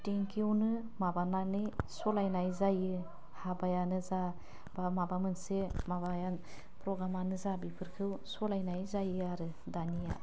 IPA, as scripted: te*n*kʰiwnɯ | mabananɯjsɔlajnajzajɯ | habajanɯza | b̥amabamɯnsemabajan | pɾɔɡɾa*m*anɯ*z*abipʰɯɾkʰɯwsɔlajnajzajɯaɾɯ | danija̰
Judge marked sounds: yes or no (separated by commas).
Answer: no, yes, yes